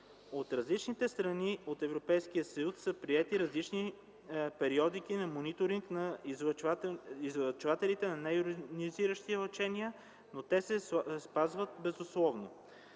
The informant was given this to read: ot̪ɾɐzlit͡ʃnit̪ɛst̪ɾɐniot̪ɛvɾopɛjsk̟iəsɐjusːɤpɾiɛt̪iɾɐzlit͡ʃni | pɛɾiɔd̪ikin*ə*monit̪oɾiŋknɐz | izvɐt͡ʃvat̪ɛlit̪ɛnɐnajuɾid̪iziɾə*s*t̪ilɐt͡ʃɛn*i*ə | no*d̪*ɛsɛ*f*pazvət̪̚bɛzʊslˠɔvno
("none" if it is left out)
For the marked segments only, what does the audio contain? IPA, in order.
ɐ, ʃ, i, t̪, s

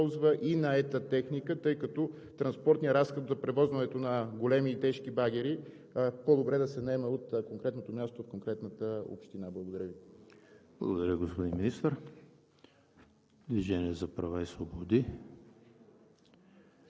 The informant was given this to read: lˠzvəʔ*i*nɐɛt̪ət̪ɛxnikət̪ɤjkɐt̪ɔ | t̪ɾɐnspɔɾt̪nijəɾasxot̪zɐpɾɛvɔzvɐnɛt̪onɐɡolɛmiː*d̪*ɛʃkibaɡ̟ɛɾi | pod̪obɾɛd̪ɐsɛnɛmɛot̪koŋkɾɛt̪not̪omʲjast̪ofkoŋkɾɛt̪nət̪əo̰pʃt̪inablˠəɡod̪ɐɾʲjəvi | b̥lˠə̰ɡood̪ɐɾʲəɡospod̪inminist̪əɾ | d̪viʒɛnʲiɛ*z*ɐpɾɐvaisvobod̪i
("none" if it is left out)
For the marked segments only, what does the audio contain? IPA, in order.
i, t̪, z

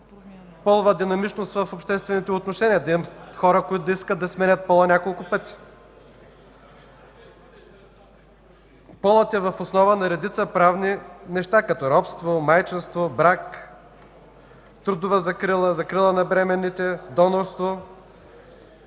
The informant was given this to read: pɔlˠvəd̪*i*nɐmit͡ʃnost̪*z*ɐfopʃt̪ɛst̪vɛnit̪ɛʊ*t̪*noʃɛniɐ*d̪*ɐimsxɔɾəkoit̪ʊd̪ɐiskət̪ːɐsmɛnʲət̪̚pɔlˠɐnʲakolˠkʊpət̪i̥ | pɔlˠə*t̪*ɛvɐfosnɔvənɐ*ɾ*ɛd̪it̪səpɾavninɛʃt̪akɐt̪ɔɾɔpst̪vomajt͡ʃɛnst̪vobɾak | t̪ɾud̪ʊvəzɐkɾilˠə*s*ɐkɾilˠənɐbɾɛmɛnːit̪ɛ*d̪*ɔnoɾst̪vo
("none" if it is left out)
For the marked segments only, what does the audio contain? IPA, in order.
i, v, t̪, d̪, t̪, ɾ, z, d̪

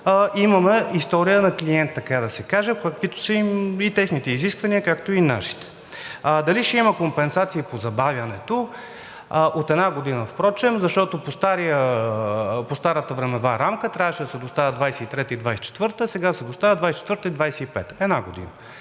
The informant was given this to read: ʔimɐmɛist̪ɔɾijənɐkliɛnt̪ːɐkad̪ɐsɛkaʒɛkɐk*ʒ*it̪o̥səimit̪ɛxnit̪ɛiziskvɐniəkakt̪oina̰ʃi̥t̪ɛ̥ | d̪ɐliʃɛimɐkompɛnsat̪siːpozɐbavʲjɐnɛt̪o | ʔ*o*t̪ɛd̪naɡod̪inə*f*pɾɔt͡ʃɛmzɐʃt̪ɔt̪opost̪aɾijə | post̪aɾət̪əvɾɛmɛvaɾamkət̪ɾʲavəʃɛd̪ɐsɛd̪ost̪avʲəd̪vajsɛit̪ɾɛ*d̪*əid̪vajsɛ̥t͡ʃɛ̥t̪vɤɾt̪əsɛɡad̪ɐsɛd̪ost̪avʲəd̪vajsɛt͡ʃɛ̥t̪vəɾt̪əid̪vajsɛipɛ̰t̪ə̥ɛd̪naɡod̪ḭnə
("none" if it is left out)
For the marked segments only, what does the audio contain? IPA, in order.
v, o, f, t̪

